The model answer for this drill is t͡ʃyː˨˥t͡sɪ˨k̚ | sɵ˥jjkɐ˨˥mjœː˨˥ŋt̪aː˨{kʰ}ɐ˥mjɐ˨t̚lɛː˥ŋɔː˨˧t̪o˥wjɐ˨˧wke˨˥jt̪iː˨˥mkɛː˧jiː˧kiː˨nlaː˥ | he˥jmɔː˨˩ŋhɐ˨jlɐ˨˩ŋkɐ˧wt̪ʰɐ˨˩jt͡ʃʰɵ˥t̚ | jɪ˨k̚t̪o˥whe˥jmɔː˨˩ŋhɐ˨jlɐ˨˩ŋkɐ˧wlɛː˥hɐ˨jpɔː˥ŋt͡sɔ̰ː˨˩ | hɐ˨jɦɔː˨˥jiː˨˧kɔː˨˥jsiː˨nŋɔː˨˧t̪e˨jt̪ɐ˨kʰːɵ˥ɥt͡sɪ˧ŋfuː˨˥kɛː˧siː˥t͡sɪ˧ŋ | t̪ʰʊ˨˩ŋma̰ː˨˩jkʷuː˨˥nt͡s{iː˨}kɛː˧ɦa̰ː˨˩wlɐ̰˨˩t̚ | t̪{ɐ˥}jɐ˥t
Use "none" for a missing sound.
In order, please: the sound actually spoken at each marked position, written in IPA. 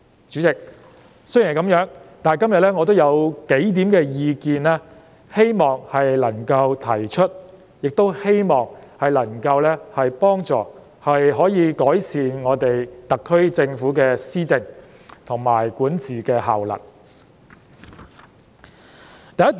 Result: k, iː˨, ɐ˨

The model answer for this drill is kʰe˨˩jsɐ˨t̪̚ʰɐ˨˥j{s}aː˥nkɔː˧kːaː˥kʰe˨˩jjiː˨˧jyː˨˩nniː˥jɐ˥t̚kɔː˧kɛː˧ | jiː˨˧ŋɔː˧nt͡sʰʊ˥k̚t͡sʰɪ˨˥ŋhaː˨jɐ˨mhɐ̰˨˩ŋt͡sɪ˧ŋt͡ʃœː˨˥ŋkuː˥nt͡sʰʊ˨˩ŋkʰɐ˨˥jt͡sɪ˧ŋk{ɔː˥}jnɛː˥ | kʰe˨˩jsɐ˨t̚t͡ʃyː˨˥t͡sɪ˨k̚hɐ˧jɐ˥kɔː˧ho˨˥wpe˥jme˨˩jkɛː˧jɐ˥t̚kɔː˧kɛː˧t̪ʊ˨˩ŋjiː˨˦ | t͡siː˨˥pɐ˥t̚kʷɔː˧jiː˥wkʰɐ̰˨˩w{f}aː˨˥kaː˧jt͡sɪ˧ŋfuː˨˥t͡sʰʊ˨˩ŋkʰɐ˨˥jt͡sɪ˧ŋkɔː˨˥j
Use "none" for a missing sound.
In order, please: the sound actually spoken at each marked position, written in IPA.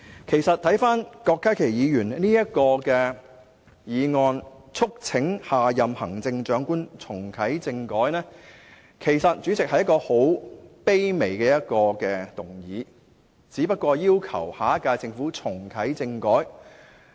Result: f, ɔː˨˥, h

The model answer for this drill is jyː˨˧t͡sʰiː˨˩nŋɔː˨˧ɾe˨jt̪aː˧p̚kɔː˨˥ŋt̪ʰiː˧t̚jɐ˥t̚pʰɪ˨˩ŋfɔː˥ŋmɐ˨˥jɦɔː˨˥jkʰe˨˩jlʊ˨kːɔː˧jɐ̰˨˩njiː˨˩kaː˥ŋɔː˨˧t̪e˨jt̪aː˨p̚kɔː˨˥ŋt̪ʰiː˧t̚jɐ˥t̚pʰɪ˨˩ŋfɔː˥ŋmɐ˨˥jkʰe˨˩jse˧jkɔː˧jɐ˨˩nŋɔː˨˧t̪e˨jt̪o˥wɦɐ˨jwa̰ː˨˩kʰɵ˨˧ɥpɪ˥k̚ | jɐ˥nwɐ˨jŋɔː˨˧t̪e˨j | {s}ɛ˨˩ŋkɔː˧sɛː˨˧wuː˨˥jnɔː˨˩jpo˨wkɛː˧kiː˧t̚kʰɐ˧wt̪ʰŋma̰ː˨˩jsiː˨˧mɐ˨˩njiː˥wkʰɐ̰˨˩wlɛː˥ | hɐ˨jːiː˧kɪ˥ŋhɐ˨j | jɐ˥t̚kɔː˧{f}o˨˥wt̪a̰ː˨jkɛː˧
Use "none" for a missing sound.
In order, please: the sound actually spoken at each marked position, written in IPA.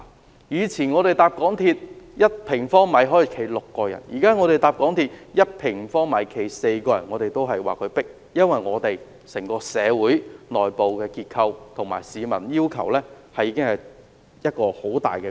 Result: s, h

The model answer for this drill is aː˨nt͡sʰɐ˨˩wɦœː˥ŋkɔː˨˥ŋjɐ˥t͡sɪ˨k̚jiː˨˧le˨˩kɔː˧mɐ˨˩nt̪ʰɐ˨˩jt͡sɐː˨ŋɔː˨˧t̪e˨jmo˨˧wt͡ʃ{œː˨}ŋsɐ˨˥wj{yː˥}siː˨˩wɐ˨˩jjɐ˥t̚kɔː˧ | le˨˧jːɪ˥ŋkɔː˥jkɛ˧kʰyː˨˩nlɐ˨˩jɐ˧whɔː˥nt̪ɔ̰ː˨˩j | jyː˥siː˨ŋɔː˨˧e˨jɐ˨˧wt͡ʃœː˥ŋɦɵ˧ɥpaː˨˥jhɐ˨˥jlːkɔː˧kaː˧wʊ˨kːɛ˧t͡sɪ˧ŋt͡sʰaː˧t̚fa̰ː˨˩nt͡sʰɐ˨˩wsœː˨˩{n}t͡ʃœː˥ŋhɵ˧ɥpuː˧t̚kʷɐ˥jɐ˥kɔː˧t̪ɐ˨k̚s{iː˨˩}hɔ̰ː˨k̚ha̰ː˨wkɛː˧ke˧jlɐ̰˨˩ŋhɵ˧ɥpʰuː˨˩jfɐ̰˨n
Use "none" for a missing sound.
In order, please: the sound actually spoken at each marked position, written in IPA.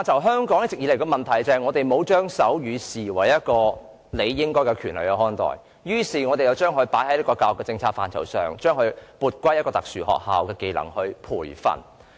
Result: œː˥, yː˨˧, ŋ, yː˨˩

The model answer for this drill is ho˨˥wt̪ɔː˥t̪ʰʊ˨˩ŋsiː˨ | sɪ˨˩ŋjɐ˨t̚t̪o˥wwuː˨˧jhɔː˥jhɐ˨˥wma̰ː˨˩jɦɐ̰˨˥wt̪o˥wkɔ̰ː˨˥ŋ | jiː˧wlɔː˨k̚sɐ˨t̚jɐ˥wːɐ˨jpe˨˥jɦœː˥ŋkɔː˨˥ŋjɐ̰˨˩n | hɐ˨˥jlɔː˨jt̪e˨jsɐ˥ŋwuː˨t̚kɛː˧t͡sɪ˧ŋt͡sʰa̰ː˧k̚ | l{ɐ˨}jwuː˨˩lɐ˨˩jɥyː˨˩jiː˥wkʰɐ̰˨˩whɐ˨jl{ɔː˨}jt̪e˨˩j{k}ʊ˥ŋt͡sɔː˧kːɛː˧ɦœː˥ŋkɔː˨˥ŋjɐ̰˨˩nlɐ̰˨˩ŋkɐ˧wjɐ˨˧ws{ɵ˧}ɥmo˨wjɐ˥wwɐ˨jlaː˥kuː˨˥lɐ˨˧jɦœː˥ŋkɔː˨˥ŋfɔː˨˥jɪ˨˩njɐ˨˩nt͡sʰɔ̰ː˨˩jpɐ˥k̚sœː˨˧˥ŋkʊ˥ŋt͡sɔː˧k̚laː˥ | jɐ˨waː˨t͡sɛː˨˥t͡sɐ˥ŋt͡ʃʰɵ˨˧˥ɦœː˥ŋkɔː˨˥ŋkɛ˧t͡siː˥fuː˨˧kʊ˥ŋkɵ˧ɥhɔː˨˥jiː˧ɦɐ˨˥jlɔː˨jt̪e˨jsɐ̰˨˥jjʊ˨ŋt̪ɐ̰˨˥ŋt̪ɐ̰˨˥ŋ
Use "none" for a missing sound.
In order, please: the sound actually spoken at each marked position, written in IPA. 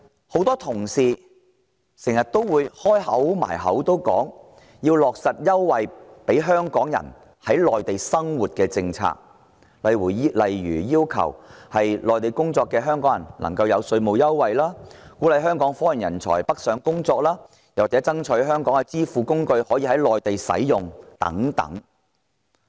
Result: ɐ˨, ɔː˨, k, ɵ˧

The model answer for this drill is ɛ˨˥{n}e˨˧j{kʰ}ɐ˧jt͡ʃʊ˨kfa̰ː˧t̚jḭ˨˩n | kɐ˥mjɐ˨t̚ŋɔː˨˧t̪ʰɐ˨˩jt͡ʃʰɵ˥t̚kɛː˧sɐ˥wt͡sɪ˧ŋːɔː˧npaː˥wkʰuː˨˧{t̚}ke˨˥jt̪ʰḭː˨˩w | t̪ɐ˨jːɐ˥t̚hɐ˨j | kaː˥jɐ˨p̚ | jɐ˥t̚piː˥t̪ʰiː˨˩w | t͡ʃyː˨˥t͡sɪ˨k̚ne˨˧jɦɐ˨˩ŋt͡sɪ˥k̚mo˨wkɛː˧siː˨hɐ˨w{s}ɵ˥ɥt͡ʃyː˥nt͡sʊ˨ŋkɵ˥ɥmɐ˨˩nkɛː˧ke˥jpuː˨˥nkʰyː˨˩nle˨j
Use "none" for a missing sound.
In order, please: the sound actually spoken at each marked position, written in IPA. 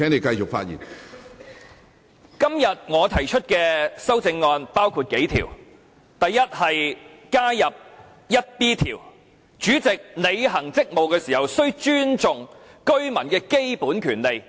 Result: n, k, t̚, s

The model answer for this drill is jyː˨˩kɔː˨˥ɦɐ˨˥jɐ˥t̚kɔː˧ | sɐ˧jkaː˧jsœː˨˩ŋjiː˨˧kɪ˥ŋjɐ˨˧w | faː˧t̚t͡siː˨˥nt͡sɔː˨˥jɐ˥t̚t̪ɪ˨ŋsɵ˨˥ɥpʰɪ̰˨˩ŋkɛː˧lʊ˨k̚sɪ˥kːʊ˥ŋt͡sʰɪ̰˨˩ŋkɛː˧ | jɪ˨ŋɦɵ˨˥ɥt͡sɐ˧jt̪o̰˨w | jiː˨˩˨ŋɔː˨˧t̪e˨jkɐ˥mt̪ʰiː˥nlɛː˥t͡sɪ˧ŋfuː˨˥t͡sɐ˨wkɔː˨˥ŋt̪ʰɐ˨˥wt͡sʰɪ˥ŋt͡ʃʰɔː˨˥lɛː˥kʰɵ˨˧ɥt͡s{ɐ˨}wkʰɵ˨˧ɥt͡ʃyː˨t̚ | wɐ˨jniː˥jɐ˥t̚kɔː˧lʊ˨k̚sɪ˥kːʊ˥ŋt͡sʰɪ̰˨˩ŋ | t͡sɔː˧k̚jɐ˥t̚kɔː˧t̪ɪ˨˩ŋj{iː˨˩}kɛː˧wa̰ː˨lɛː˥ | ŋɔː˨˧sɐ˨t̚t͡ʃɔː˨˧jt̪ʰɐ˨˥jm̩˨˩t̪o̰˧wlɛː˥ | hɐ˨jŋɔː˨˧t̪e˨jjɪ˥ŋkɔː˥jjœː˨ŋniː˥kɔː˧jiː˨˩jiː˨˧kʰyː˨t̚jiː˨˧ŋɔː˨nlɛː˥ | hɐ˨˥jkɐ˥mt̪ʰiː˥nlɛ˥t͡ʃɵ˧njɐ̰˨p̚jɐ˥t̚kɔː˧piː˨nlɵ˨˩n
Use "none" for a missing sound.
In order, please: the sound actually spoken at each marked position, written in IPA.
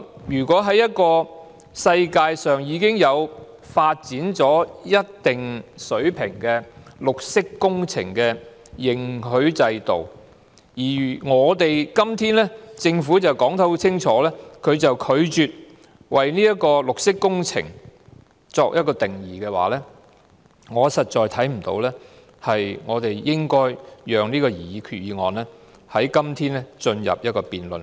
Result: ɐ˨, iː˨˩

